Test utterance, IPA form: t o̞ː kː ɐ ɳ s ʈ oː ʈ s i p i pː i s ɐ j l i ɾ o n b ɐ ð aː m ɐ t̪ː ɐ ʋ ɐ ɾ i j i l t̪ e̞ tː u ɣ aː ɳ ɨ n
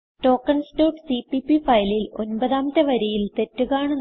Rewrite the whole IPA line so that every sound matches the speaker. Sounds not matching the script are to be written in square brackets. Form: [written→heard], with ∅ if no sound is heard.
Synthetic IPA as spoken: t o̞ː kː ɐ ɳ s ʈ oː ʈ s i p i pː i [s→f] ɐ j l i [ɾ→l] o n b ɐ ð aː m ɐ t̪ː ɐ ʋ ɐ ɾ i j i l t̪ e̞ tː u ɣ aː ɳ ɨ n